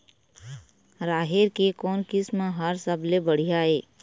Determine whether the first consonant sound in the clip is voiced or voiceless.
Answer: voiced